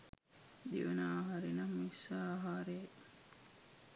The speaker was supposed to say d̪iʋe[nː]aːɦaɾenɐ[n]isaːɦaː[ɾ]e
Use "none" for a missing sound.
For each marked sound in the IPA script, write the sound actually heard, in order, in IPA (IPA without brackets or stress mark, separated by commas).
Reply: n, m, ɾ